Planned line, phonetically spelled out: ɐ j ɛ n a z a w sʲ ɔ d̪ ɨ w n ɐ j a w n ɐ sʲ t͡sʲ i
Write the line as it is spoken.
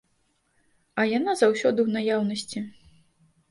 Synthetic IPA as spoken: ɐ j a n a z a w sʲ ɔ d̪ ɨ w n a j a w n ɐ sʲ t͡sʲ i